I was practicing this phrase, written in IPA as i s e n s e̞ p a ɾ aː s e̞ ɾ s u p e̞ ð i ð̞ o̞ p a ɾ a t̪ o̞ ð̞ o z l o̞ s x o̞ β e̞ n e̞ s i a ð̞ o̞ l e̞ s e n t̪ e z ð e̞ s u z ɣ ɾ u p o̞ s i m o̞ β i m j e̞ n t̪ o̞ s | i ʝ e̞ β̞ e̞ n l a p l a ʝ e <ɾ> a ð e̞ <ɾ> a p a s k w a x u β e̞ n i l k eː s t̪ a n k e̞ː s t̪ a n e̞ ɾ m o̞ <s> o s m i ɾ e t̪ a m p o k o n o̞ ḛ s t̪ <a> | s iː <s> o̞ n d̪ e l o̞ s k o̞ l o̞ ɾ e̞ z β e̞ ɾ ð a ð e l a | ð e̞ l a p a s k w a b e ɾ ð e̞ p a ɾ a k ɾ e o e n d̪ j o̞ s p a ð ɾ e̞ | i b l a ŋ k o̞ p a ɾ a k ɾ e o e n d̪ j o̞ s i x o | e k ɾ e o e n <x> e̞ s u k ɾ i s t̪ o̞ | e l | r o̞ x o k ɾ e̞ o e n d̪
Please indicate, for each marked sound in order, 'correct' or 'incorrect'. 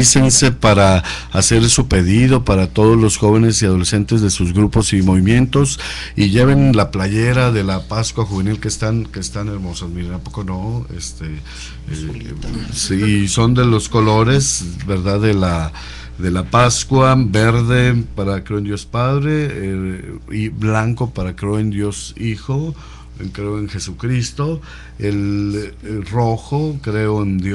correct, incorrect, correct, incorrect, correct, correct

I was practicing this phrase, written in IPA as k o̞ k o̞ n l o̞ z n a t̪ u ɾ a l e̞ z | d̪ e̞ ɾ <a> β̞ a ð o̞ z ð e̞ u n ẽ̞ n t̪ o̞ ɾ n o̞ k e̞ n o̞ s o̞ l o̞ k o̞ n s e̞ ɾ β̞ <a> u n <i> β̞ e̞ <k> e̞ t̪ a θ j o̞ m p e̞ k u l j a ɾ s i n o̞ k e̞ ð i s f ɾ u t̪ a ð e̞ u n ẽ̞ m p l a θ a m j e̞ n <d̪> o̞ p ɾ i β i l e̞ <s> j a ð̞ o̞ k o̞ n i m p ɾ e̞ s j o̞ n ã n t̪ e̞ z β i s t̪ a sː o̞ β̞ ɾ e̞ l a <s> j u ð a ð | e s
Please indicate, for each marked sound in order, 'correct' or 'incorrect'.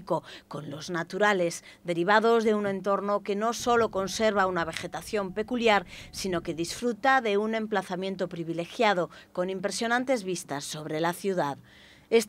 incorrect, correct, incorrect, incorrect, incorrect, incorrect, incorrect

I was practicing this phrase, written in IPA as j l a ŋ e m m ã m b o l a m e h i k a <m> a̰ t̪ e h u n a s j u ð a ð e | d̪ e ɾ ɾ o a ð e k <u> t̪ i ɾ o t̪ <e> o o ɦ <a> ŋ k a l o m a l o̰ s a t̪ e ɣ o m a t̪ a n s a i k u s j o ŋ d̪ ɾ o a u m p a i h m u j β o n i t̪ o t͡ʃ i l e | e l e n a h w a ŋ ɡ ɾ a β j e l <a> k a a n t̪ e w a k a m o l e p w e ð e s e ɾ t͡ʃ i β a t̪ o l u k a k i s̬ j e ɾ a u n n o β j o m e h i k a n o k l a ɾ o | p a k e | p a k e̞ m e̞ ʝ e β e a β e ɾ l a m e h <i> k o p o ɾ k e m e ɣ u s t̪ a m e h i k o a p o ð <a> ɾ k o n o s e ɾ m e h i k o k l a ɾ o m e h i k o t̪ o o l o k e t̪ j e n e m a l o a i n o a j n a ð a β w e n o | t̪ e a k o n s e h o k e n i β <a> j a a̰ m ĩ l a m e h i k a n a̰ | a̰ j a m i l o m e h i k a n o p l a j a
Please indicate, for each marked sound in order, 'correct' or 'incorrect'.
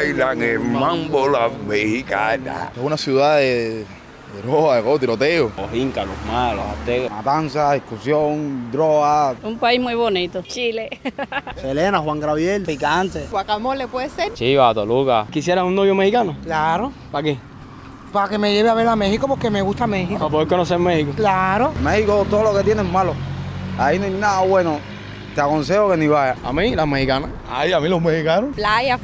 incorrect, incorrect, correct, incorrect, incorrect, correct, incorrect, correct

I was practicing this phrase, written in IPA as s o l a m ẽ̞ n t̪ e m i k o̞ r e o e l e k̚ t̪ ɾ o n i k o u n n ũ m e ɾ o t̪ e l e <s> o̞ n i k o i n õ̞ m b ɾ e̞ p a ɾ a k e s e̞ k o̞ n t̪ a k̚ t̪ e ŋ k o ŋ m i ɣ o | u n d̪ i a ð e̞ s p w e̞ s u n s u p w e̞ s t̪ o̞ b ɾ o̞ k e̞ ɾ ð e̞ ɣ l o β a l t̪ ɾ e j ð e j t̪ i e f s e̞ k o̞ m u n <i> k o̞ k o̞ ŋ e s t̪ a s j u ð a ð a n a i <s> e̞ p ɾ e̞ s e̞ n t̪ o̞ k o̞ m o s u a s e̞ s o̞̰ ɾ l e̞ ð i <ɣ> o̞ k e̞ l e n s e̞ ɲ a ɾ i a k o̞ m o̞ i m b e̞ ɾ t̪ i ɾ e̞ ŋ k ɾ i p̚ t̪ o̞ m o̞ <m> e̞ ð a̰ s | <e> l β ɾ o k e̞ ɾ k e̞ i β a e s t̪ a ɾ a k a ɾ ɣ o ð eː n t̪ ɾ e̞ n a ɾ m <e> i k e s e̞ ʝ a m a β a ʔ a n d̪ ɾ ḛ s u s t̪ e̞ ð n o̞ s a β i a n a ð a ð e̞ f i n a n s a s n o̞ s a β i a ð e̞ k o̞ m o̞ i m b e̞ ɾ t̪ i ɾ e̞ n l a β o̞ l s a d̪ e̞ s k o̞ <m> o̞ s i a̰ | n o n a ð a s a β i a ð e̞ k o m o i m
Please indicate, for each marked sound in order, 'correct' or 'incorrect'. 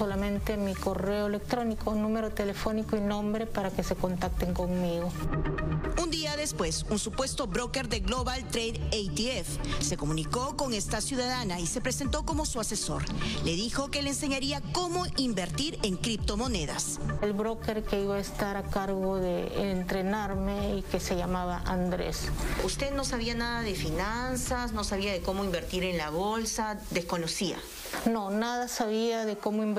incorrect, correct, correct, incorrect, incorrect, correct, correct, incorrect

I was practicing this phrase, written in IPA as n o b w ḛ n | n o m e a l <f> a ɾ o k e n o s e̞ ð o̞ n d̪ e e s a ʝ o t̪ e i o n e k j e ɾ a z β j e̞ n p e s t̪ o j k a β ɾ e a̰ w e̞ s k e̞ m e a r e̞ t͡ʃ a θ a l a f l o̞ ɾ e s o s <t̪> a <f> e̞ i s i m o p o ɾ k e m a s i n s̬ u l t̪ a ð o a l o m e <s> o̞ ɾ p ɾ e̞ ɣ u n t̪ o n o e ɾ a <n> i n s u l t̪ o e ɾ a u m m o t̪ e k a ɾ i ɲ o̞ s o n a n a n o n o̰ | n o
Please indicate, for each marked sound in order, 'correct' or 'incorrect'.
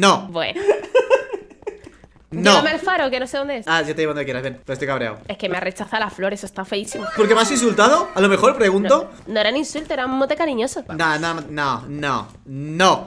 correct, correct, correct, incorrect, correct

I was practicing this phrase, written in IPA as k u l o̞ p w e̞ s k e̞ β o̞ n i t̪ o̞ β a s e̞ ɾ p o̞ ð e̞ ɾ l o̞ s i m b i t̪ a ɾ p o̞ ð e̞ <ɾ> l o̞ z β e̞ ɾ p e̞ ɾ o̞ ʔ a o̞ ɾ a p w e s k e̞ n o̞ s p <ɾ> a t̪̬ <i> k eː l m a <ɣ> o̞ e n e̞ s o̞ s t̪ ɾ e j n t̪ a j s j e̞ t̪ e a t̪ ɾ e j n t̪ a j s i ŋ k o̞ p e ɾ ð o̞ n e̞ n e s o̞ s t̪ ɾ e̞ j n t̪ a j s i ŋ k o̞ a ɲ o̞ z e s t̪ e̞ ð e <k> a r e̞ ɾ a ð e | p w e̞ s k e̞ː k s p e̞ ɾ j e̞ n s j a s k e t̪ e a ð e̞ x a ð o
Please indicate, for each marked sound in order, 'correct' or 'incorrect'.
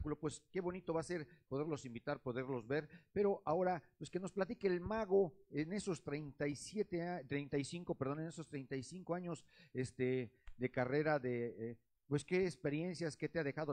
correct, incorrect, correct, correct, correct

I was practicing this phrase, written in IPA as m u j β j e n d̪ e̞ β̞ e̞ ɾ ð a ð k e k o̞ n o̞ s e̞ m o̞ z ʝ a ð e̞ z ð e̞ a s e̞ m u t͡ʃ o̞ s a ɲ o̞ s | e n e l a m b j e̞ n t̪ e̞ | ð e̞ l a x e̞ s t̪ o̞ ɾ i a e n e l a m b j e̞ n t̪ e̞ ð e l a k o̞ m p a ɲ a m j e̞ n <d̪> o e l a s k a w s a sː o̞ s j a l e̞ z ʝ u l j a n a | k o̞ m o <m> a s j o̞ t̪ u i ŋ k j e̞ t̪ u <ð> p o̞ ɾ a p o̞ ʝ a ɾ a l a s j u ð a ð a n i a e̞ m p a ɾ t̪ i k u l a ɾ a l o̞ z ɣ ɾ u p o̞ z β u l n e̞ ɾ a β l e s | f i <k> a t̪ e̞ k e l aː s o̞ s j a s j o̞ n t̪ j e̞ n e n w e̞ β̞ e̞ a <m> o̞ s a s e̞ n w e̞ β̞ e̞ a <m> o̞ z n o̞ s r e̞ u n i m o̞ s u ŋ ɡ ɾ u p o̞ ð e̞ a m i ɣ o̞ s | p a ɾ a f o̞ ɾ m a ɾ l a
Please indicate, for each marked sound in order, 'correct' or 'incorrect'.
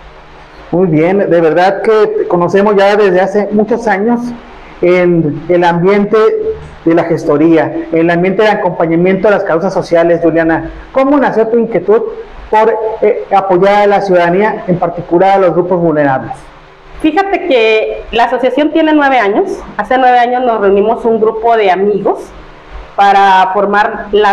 incorrect, incorrect, correct, incorrect, incorrect, incorrect

